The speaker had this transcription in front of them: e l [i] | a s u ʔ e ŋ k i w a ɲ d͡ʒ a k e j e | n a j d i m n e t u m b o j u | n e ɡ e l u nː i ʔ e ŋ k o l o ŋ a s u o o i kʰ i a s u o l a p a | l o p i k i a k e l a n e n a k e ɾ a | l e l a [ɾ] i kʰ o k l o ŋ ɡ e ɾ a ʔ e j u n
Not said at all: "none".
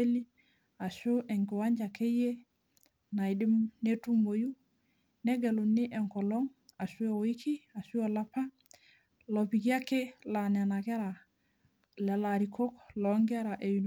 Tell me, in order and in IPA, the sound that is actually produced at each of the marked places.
i, ɾ

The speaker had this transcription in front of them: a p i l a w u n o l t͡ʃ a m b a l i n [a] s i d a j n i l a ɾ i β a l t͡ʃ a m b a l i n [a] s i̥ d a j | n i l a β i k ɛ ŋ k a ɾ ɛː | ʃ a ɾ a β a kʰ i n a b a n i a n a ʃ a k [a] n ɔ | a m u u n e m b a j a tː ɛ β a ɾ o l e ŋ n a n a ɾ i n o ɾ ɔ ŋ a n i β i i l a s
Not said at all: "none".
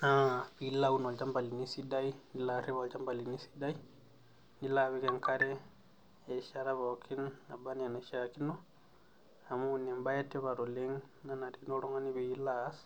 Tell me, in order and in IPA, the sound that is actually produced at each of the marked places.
i, i, i

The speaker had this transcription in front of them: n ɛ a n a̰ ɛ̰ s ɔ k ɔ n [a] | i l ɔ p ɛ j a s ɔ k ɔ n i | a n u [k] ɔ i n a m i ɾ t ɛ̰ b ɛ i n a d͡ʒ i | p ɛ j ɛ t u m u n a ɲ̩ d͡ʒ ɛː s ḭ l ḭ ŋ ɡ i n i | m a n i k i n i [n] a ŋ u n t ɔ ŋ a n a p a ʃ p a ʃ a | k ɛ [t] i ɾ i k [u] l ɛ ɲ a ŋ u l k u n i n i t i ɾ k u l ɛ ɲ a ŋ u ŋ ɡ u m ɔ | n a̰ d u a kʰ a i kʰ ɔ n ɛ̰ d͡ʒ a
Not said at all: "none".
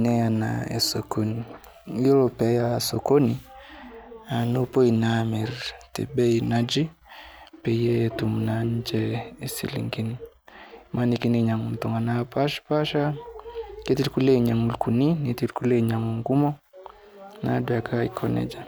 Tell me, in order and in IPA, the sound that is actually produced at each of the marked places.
i, p, ɲ, t, u

